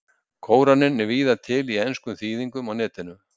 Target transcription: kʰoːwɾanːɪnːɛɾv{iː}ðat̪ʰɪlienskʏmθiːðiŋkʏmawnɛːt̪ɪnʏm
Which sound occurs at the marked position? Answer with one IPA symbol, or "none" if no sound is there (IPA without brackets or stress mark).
iː